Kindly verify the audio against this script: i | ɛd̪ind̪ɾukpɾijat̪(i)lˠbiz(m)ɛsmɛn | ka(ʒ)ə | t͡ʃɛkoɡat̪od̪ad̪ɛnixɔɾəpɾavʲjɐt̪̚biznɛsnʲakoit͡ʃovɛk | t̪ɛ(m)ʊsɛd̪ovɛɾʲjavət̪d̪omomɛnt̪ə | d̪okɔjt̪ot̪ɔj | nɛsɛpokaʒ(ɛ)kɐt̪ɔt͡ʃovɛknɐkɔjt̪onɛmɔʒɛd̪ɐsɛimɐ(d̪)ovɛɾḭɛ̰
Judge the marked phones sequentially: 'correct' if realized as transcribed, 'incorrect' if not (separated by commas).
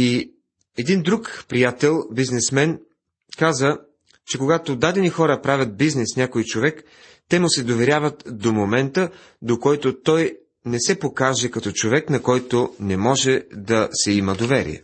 incorrect, incorrect, incorrect, correct, correct, correct